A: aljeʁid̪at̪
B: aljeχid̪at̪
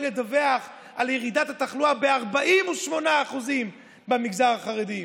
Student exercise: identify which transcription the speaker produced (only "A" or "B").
A